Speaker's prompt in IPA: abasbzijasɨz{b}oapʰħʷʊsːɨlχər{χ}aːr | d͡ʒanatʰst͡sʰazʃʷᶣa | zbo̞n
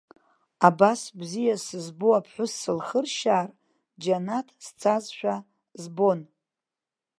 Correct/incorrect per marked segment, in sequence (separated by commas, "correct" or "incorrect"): correct, incorrect